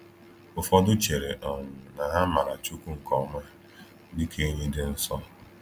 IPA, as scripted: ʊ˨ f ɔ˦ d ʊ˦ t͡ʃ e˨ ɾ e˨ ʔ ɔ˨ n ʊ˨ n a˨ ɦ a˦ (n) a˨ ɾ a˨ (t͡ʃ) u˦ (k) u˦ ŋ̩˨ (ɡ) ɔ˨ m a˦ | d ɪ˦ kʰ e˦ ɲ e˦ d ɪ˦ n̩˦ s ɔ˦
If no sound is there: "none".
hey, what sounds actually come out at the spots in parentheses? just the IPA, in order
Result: m, t͡ʃ, k, k

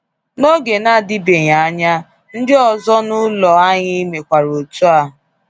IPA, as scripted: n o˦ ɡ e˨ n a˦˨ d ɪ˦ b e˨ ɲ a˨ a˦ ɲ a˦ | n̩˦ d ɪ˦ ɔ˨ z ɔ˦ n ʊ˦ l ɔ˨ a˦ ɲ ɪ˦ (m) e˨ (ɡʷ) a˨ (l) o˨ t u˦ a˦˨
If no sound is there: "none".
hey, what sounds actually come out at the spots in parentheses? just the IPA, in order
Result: m, kʷ, ɾ

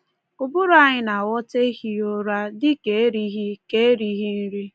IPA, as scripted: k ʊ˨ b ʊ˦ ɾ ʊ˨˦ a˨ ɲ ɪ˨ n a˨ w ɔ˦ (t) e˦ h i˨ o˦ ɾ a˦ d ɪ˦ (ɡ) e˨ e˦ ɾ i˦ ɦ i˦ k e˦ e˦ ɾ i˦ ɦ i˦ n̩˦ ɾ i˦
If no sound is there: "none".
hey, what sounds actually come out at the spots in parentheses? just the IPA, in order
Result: t, k

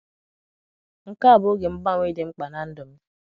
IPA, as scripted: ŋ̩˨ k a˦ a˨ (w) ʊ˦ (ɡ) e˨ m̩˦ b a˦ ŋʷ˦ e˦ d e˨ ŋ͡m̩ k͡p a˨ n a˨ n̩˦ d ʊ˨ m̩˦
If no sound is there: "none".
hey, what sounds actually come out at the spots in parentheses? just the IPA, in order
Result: b, ɡ

